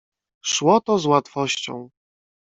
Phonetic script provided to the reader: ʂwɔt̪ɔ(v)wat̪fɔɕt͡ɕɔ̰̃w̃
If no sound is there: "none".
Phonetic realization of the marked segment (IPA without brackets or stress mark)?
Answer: z